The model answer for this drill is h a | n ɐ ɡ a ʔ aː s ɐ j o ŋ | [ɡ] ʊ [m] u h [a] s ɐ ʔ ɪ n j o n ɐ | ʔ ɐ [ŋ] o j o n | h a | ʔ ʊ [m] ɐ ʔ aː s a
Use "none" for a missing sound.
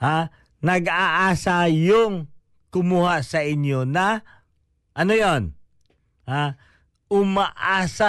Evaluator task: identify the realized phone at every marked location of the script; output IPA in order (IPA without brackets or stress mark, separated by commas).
k, m, a, n, m